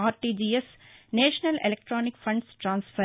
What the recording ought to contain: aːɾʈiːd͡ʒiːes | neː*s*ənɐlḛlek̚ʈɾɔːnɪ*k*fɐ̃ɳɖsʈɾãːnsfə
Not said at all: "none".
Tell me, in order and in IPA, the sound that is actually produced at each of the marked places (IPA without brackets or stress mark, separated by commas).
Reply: ʃ, k